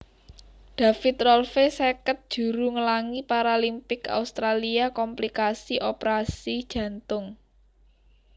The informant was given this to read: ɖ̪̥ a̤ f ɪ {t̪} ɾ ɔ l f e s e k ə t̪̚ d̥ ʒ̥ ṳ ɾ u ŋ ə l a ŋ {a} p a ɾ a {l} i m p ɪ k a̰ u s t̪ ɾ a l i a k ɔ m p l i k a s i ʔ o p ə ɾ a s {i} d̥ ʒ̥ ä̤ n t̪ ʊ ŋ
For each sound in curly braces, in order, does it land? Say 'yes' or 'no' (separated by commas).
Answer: yes, no, yes, yes